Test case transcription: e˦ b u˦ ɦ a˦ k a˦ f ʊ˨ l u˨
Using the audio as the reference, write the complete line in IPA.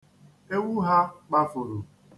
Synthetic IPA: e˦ w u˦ ɦ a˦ k͡p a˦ f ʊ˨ ɾ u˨